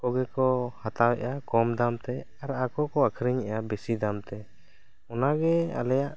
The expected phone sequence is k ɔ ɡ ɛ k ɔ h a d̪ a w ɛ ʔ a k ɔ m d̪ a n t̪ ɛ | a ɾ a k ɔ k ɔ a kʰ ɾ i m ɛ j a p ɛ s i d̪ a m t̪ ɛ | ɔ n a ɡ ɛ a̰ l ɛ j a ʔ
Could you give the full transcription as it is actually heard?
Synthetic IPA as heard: k ɔ ɡ ɛ k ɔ h a t̪ a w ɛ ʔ a k ɔ m d̪ a m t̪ ɛ | a ɾ a k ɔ k ɔ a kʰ ɾ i ɲ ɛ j a b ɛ s i d̪ a m t̪ ɛ | ɔ n a ɡ ɛ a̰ l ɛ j a ʔ